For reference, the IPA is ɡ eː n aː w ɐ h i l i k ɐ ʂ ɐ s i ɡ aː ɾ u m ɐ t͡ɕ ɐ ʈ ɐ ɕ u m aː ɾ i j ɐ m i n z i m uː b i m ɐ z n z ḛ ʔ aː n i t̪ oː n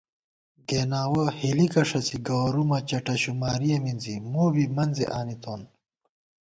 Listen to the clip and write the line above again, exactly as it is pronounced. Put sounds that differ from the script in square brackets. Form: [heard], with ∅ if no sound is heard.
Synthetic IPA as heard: ɡ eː n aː w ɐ h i l i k ɐ ʂ ɐ s i ɡ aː ɾ u m ɐ t͡ɕ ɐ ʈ ɐ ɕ u m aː ɾ i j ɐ m i n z i m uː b i m ɐ [∅] n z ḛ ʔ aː n i t̪ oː n